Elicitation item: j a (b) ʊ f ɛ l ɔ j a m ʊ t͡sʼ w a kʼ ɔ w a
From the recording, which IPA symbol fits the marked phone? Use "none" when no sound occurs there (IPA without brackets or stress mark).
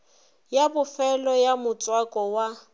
b